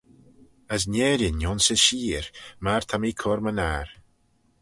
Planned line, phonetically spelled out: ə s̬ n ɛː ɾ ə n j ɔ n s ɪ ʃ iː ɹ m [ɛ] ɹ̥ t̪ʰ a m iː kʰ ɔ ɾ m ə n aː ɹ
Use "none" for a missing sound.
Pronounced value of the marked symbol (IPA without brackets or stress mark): a